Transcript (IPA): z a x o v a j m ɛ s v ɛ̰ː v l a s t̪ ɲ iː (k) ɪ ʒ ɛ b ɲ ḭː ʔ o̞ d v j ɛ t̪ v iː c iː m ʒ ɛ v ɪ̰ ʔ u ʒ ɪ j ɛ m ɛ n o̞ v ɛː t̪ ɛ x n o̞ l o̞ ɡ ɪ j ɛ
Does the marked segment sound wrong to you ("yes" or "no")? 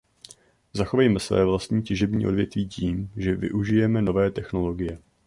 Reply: yes